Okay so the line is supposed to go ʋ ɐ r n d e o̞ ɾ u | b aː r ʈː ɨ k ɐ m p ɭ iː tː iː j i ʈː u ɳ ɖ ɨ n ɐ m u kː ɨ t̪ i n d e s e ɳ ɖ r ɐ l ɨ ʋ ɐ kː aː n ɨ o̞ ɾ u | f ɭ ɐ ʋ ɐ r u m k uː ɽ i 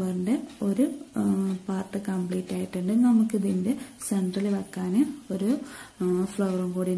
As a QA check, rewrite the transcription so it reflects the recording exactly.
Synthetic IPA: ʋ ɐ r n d e o̞ ɾ u | p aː r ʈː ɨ k ɐ m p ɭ iː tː aː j i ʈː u ɳ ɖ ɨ n ɐ m u kː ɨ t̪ i n d e s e ɳ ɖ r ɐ l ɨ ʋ ɐ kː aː n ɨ o̞ ɾ u | f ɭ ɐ ʋ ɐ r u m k uː ɽ i